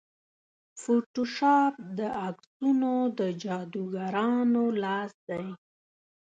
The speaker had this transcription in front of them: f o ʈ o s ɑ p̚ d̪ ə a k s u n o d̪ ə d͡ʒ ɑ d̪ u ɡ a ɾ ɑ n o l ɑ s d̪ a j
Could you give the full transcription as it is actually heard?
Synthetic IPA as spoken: f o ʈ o ʃ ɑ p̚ d̪ ə a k s u n o d̪ ə d͡ʒ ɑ d̪ u ɡ a ɾ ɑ n o l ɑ s d̪ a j

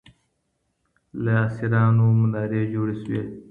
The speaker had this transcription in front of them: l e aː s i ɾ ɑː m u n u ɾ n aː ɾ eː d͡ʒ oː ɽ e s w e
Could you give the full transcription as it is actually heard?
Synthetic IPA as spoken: l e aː s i ɾ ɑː n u m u n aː ɾ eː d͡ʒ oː ɽ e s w e

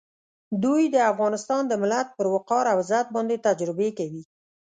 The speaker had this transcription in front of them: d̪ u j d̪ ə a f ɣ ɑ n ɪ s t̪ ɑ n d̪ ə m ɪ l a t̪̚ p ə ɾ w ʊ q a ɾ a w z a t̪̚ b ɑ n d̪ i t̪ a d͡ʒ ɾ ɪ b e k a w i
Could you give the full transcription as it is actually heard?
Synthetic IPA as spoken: d̪ u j d̪ ə a f ɣ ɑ n ɪ s t̪ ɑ n d̪ ə m ɪ l a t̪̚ p ə ɾ w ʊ q ɑ ɾ a w z a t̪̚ b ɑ n d̪ e t̪ a d͡ʒ ɾ ɪ b e k a w i

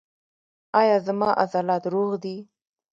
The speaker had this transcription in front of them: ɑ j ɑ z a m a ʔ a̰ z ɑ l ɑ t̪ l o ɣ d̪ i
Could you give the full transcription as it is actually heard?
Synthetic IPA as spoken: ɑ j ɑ z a m ɑ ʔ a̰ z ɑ l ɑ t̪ ɾ o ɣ d̪ i

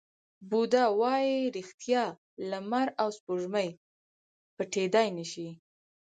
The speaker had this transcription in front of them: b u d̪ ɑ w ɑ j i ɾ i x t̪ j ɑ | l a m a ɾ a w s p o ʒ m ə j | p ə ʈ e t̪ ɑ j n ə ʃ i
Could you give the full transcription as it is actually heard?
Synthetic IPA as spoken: b u d̪ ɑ w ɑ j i ɾ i x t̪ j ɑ | l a m a ɾ a w s p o ʒ m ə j | p ə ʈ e d̪ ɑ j n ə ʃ i

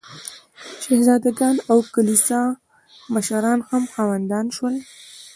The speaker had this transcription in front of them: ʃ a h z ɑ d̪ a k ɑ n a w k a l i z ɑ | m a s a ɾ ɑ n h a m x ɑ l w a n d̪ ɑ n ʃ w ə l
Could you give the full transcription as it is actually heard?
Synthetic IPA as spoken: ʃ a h z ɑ d̪ a ɡ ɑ n a w k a l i s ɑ | m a ʃ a ɾ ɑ n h a m x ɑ w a n d̪ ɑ n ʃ w ə l

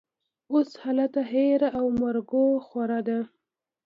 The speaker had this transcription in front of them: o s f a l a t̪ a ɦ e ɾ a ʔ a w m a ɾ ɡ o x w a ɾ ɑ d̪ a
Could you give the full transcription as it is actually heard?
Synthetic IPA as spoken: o s h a l a t̪ a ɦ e ɾ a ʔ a w m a ɾ ɡ o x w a ɾ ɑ d̪ a

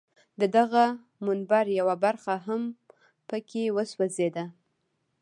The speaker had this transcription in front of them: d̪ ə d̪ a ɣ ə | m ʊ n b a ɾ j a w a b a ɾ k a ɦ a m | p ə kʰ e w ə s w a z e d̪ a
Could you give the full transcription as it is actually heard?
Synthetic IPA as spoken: d̪ ə d̪ a ɣ a | m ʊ n b a ɾ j a w a b a ɾ x a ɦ a m | p ə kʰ e w ə s w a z e d̪ a

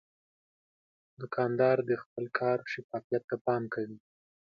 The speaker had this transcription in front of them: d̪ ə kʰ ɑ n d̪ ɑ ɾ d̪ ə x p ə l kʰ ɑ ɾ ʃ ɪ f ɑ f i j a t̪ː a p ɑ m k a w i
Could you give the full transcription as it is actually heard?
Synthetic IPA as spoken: d̪ ə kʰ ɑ n d̪ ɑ ɾ d̪ ə x p ə l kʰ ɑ ɾ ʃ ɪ f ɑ f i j a t̪ː a p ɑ m k a w i

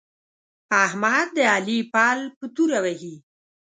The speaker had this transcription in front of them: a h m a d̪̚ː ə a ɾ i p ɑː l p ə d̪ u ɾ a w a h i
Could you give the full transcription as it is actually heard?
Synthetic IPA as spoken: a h m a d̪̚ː ə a l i p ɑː l p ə t̪ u ɾ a w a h i

